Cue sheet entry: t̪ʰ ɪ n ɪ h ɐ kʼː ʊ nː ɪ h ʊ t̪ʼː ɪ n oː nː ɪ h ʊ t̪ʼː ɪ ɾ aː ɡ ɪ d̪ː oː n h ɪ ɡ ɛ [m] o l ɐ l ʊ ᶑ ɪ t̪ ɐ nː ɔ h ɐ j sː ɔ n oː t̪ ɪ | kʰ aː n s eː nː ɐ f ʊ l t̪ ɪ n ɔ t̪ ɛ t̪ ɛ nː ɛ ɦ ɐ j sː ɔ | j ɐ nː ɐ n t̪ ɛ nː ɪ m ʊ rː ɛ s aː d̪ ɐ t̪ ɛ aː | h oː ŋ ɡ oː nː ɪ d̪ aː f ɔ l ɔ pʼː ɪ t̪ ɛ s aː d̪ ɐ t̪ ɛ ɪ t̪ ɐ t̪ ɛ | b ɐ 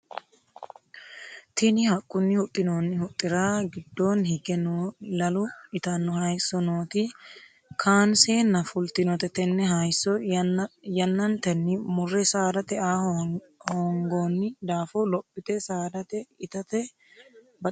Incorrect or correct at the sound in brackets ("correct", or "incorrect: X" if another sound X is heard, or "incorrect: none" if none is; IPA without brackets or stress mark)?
incorrect: n